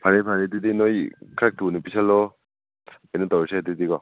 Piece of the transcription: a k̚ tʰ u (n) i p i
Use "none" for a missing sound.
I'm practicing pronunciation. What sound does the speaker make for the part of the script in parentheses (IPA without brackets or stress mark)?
n